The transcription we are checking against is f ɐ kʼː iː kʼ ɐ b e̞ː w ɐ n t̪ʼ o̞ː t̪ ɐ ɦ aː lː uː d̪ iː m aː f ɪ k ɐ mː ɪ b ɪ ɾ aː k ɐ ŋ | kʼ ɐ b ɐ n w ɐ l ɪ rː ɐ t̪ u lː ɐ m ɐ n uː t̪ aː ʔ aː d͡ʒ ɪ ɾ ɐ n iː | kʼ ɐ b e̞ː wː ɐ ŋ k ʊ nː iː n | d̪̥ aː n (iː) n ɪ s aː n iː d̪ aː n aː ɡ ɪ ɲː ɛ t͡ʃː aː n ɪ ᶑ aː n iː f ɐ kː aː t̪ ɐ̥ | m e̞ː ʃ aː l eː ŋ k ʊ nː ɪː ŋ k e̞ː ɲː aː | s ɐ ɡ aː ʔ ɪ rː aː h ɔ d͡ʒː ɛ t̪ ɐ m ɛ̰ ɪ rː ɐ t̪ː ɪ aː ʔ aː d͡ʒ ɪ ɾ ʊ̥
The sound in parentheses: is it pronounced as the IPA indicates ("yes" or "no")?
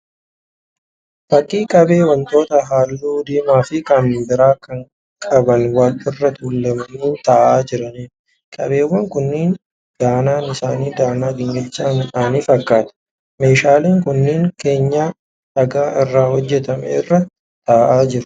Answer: no